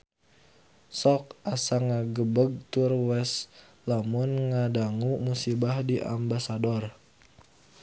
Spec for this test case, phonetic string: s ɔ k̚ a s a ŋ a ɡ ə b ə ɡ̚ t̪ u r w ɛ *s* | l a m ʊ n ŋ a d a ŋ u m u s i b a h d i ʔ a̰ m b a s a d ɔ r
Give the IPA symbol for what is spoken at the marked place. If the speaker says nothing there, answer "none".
s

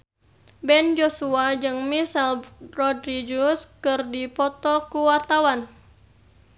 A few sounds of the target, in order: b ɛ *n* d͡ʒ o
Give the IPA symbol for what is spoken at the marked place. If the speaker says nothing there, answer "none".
n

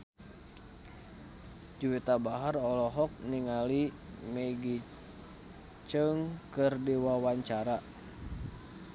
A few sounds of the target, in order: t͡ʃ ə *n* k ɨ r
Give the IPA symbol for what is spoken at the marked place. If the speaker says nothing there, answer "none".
ŋ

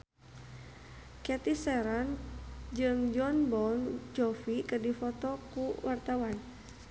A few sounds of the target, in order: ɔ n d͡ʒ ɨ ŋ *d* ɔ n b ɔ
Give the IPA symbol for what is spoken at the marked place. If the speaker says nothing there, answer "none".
d͡ʒ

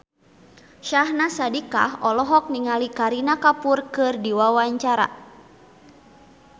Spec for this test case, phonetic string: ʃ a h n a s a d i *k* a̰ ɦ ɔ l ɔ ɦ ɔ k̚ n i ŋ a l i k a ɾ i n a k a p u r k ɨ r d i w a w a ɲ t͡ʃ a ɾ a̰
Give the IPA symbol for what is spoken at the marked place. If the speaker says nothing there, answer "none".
k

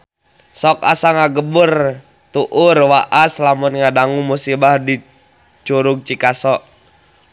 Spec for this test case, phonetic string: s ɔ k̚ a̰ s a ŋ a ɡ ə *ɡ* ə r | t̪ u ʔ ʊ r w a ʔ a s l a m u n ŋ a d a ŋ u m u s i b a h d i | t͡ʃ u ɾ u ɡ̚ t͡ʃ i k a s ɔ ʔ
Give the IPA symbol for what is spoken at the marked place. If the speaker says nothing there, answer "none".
b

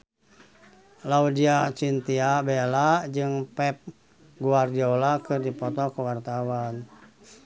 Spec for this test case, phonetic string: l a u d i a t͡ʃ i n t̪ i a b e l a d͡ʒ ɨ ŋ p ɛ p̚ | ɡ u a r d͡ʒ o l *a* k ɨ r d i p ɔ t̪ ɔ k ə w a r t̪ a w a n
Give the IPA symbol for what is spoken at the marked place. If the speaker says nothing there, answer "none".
a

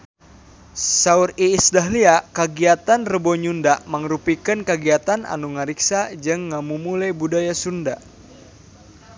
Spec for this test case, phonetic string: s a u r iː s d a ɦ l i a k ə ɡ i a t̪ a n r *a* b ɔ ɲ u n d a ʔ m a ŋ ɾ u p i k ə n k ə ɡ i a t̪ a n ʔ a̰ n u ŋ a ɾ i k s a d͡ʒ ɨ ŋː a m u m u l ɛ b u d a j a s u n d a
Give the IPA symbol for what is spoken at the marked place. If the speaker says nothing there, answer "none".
ə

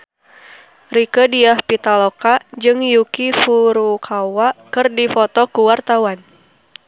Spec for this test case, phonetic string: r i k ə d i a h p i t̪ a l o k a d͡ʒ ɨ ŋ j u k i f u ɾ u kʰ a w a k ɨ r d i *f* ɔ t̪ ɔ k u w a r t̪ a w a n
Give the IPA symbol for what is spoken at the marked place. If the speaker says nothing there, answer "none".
f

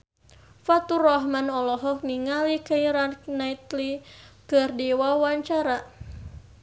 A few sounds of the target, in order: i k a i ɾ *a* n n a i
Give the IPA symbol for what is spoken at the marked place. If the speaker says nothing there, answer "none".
a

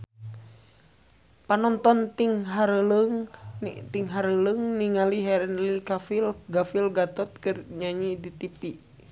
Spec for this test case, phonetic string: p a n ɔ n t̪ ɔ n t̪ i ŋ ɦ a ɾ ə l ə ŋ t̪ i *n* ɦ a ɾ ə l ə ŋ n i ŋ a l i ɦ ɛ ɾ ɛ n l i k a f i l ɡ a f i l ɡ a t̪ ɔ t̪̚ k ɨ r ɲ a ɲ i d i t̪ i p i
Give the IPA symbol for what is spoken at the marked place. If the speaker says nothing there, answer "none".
ŋ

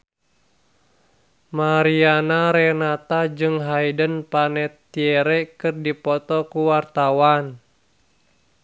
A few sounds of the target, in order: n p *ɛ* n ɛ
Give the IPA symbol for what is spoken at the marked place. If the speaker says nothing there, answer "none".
a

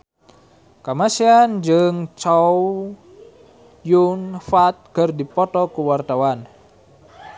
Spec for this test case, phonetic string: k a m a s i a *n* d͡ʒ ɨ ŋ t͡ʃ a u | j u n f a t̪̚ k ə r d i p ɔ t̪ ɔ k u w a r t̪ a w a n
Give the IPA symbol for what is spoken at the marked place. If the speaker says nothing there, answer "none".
n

